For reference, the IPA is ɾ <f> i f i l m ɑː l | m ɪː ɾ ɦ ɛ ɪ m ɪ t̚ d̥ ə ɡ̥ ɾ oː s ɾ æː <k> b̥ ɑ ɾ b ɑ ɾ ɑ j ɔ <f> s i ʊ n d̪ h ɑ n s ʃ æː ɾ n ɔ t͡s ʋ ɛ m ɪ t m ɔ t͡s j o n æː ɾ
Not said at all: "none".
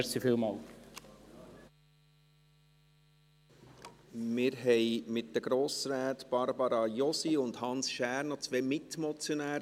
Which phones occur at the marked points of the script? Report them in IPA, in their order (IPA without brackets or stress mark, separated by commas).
s, t, none